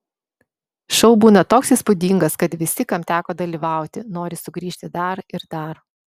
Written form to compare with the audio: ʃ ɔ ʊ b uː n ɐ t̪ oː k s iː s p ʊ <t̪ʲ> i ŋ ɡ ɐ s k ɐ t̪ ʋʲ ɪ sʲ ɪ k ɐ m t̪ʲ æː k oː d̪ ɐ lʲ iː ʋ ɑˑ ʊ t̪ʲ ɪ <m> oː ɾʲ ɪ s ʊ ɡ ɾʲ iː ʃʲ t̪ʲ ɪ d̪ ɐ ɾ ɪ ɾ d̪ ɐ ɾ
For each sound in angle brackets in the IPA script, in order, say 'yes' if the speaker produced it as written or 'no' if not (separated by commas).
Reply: no, no